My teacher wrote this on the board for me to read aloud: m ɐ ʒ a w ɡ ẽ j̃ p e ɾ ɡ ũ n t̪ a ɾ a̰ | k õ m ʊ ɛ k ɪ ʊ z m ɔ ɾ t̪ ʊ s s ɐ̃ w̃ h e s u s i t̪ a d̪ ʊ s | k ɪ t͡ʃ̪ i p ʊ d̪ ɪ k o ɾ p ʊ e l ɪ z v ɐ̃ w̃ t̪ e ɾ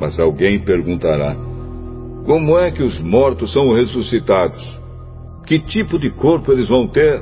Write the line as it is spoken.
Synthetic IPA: m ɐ z a w ɡ ẽ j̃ p e ɾ ɡ ũ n t̪ a ɾ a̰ | k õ m ʊ ɛ k ɪ ʊ z m ɔ ɾ t̪ ʊ s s ɐ̃ w̃ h e s u s i t̪ a d̪ ʊ s | k ɪ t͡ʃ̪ i p ʊ d̪ ɪ k o ɾ p ʊ e l ɪ z v ɐ̃ w̃ t̪ e ɾ